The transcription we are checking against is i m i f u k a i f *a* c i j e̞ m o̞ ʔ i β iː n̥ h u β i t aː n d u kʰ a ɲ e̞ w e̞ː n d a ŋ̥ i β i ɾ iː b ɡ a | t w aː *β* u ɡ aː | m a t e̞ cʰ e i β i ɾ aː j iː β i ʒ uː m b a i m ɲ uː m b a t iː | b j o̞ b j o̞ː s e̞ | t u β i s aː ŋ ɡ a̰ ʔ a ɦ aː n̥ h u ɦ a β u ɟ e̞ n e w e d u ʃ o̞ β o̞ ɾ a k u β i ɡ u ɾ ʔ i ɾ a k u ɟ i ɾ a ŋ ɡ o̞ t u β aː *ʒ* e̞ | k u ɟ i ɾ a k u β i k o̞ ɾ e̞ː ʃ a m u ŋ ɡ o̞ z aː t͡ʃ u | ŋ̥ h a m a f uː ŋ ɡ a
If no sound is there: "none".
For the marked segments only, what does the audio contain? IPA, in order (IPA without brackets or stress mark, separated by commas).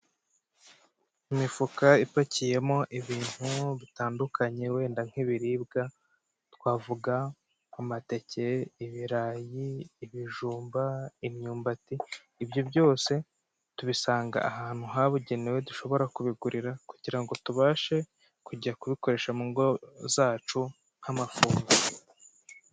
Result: a, v, ʃ